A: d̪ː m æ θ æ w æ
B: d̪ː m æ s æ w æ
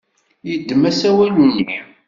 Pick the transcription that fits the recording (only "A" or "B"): B